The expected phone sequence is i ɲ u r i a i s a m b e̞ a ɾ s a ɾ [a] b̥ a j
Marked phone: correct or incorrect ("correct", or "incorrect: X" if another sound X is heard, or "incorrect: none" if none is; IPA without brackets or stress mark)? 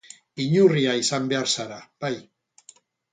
correct